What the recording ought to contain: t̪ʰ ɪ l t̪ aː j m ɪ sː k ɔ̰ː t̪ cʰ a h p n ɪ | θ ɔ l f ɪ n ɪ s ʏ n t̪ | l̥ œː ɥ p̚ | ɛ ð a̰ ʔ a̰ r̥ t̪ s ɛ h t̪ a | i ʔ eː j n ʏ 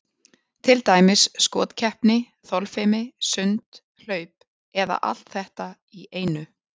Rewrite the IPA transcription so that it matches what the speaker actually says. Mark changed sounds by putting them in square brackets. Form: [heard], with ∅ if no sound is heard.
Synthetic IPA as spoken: t̪ʰ ɪ l t̪ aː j m ɪ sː k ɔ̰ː t̪ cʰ [ɛ] h p n ɪ | θ ɔ l f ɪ [m] ɪ s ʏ n t̪ | l̥ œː ɥ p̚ | ɛ ð a̰ ʔ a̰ [l̥] t̪ [θ] ɛ h t̪ a | i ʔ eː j n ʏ